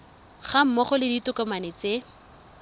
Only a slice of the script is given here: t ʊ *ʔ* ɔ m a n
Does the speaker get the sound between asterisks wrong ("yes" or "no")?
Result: yes